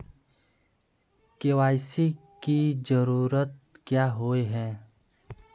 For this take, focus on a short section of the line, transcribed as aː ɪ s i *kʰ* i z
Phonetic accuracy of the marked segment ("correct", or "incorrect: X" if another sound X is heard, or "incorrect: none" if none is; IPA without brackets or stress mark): incorrect: k